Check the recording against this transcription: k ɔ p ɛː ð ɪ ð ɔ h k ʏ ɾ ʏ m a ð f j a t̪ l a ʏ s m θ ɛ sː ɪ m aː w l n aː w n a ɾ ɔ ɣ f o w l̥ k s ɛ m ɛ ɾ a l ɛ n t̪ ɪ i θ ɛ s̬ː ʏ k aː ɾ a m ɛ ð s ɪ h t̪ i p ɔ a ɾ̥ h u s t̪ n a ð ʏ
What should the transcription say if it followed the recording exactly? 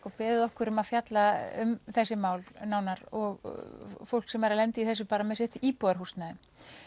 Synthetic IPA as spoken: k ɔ p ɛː ð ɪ ð ɔ h k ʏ ɾ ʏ m a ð f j a t̪ l a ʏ m θ ɛ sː ɪ m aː w l n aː w n a ɾ ɔ ɣ f o w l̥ k s ɛ m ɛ ɾ a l ɛ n t̪ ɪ i θ ɛ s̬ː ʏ p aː ɾ a m ɛ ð s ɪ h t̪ i p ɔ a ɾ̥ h u s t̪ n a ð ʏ